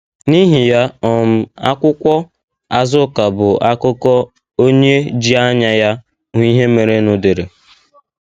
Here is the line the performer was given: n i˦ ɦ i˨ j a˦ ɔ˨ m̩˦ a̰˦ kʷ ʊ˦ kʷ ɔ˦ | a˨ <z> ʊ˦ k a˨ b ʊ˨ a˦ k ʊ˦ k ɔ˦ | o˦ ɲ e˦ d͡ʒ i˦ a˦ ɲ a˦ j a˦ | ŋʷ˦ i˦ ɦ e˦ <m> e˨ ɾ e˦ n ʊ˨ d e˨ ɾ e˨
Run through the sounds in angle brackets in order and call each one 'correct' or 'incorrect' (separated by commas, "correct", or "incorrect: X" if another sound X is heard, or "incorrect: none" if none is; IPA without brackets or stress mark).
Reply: correct, correct